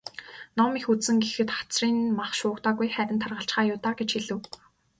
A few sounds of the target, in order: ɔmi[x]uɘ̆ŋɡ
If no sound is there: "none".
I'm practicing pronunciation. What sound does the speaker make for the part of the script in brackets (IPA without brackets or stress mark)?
x